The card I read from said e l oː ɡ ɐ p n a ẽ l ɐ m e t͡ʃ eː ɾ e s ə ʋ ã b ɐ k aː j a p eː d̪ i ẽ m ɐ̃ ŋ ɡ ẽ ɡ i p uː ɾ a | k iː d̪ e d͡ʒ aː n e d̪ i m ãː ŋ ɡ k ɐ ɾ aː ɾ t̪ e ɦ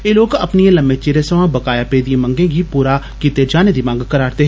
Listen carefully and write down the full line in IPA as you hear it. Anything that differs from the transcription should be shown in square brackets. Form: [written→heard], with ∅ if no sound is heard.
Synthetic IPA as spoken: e l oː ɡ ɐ p n [a→i] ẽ l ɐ m e t͡ʃ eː ɾ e s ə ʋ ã b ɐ k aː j a p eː d̪ i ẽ m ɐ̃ ŋ ɡ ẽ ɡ i p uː ɾ a | k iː [d̪→t̪] e d͡ʒ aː n e d̪ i m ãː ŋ ɡ k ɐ ɾ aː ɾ t̪ e ɦ